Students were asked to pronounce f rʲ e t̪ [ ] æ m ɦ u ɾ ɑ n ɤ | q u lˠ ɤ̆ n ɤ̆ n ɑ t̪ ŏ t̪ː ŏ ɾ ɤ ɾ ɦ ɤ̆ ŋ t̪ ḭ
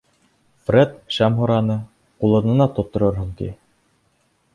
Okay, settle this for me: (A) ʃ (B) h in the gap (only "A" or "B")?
A